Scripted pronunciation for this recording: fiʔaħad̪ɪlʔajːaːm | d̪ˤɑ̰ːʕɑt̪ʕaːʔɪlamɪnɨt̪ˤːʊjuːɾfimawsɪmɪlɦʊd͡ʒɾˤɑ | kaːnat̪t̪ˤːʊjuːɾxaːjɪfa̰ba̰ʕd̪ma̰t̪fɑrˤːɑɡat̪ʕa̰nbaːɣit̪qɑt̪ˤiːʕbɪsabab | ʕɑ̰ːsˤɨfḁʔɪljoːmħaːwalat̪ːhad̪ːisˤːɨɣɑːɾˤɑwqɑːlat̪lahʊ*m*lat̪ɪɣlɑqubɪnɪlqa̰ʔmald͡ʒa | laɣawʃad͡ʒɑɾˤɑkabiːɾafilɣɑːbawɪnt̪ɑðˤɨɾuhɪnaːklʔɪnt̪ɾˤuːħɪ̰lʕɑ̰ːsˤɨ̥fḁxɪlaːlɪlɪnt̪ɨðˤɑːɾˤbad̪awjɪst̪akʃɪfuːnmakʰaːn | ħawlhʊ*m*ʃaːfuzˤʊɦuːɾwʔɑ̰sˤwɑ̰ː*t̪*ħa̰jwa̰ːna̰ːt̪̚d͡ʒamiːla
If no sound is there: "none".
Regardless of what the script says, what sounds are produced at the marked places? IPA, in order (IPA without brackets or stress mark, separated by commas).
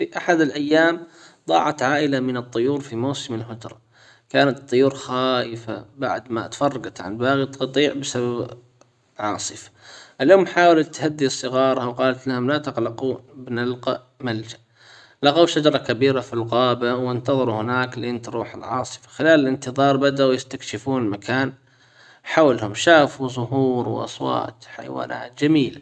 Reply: m, m, t̪